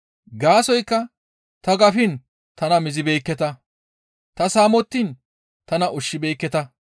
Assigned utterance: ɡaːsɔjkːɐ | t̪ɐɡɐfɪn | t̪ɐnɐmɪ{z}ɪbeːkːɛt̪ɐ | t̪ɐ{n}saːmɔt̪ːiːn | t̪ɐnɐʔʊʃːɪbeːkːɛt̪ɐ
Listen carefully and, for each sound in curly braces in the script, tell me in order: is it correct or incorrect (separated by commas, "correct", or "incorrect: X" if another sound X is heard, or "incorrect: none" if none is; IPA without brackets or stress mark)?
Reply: correct, incorrect: none